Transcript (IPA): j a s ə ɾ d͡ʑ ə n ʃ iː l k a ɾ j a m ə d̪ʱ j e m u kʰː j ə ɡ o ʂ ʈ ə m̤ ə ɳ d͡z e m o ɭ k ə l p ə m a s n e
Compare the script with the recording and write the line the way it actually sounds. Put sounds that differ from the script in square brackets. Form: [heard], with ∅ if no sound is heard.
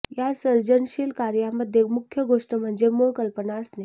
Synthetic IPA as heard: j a s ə ɾ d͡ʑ ə n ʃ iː l k a ɾ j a m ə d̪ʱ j e m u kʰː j ə ɡ o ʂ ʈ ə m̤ ə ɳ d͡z e m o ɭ k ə l p ə [n] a s n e